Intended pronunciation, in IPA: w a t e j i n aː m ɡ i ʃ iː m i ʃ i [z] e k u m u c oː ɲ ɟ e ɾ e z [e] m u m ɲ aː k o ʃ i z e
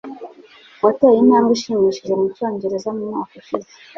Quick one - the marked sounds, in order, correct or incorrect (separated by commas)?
incorrect, incorrect